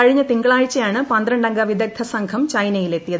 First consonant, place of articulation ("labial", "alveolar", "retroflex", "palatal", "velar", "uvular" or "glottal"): retroflex